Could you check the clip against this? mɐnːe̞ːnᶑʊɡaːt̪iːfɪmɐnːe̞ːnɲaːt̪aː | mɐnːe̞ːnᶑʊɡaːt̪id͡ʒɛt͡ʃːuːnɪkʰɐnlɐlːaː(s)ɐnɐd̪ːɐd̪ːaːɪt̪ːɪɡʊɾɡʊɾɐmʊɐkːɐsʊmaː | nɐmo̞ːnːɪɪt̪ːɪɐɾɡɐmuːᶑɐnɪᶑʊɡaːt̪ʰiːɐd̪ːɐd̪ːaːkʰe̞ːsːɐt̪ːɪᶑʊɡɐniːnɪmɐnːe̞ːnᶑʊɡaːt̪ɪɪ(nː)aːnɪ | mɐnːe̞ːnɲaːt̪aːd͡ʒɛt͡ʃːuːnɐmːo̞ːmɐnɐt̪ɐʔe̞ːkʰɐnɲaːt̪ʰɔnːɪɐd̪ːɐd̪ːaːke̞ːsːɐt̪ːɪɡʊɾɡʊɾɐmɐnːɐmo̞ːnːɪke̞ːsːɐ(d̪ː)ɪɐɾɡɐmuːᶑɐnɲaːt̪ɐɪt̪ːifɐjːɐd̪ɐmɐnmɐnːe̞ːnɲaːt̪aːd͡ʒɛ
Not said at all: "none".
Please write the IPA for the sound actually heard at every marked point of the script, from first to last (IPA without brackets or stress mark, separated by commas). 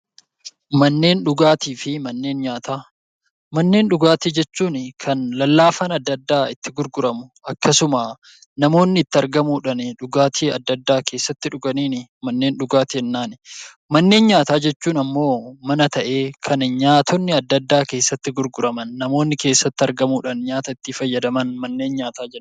f, nː, t̪ː